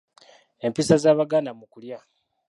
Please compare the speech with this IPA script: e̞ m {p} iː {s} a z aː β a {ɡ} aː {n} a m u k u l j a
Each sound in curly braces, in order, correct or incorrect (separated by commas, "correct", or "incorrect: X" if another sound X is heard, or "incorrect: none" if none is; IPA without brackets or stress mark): correct, correct, correct, correct